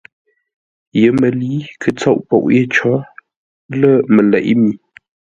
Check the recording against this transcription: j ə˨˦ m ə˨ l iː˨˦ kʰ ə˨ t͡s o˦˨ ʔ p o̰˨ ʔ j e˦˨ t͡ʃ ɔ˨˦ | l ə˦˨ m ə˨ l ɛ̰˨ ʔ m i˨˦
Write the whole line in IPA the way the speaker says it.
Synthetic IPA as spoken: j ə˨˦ m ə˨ l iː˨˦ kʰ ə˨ t͡s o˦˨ ʔ p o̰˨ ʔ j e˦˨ t͡ʃ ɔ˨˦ | l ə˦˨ m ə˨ l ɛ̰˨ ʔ m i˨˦